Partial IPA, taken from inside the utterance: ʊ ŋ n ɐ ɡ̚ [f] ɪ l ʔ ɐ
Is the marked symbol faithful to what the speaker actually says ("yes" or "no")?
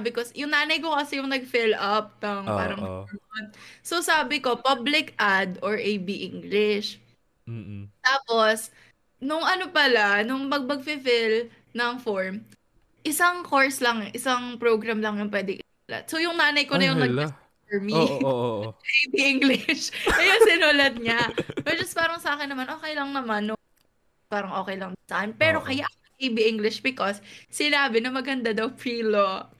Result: yes